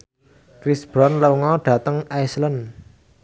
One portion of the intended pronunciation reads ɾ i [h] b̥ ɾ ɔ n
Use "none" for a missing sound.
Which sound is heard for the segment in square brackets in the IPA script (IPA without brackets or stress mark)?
s